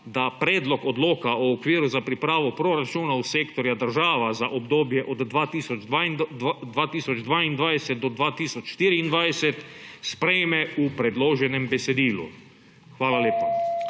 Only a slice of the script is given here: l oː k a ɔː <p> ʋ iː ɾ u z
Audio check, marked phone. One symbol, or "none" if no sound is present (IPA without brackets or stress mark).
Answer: k